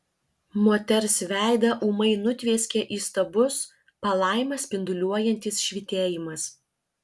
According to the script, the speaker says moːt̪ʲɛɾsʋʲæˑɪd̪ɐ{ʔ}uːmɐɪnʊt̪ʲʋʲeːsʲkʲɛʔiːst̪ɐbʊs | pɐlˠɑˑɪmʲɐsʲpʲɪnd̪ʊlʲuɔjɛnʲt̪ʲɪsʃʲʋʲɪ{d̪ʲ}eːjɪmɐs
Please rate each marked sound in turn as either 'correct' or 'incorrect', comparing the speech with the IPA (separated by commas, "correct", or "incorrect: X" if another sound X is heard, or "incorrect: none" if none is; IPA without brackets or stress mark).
correct, incorrect: t̪ʲ